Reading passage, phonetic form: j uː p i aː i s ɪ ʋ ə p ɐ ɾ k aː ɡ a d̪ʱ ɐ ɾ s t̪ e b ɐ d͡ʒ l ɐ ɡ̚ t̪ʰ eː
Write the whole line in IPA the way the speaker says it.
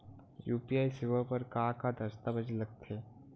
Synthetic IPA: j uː p i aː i s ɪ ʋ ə p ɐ ɾ k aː k a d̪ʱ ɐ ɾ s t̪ a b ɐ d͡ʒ l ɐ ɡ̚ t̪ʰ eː